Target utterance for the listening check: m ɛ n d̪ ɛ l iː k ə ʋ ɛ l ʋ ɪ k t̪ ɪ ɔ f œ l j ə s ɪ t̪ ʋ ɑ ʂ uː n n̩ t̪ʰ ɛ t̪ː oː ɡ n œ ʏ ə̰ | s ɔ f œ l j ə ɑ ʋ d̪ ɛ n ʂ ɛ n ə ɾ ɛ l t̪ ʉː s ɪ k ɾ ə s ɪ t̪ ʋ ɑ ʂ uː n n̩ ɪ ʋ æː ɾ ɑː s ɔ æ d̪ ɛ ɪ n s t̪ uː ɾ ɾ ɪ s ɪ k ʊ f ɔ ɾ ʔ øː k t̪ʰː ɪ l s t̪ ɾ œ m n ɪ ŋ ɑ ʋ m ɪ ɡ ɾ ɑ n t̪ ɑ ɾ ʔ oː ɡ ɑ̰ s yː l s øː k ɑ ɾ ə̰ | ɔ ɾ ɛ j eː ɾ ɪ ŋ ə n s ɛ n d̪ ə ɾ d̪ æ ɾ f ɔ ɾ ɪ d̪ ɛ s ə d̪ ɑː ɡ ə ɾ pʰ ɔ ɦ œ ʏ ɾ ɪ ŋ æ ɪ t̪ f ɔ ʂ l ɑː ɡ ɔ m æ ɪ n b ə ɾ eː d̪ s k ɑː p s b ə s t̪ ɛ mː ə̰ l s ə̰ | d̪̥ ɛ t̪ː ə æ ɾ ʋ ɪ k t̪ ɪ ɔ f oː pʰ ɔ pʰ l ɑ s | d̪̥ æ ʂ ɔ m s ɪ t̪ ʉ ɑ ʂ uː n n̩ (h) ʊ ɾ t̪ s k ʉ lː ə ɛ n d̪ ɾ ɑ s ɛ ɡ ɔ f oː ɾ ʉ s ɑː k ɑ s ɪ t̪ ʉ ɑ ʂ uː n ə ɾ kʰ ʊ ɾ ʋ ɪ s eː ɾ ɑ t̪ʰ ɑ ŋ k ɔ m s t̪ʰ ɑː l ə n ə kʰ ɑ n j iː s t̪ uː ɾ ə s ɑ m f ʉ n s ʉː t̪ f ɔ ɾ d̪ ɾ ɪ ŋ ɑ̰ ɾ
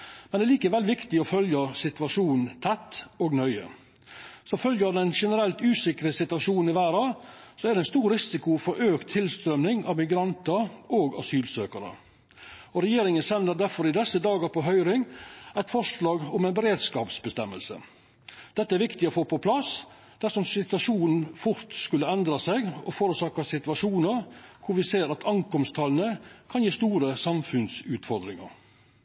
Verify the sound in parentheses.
incorrect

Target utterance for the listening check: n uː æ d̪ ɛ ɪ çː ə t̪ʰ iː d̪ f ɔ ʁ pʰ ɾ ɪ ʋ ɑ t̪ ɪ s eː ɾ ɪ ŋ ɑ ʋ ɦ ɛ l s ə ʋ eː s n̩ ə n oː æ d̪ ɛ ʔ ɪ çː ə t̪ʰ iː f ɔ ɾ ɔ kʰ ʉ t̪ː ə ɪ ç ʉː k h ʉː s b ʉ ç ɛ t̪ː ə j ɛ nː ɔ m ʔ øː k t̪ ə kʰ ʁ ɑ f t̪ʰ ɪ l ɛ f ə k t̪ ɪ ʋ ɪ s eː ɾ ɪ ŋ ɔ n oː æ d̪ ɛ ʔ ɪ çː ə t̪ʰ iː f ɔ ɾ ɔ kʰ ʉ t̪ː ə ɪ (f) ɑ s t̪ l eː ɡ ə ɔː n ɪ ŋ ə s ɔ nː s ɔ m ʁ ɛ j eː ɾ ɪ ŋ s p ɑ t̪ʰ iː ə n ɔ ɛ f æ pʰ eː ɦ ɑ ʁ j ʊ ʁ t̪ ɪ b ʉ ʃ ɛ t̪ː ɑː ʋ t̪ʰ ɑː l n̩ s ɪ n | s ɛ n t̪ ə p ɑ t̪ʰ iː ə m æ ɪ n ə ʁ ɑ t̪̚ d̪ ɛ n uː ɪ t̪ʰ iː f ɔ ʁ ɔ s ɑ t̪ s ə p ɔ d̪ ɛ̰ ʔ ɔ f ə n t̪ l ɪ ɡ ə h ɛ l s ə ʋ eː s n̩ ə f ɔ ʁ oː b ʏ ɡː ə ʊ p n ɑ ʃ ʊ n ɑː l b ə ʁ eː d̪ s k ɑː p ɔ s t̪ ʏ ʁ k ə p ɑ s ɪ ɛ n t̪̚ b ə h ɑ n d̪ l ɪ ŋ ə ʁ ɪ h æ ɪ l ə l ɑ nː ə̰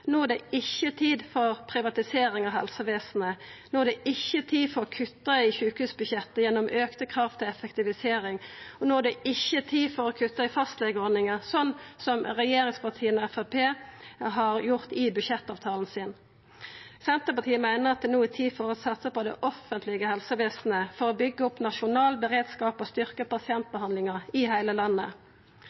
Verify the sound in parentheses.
correct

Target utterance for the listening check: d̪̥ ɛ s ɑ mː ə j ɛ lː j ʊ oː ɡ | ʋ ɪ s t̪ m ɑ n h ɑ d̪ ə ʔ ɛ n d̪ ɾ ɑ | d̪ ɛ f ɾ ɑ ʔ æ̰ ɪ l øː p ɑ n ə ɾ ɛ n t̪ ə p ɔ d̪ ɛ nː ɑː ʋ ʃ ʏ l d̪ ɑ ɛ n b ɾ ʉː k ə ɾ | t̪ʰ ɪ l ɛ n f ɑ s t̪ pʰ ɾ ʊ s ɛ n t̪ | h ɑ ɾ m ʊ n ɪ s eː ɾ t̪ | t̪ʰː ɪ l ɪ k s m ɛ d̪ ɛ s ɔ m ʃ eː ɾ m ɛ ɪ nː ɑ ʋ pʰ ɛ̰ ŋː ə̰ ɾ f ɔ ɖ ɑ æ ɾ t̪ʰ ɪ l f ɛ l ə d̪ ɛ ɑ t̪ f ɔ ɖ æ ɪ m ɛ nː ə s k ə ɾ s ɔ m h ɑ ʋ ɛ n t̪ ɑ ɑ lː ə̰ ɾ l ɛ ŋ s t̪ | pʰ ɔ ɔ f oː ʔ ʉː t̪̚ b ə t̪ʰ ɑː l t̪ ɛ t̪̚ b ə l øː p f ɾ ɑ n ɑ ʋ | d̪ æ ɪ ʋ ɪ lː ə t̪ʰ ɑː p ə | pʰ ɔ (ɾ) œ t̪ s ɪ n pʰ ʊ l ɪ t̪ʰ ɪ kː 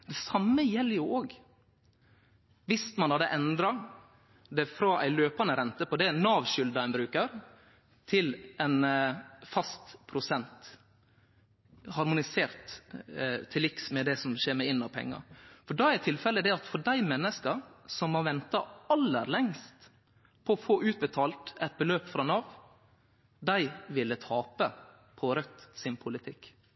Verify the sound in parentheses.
correct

